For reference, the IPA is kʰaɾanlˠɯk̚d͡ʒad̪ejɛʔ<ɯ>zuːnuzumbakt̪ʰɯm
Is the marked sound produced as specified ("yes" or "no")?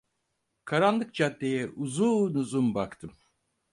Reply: no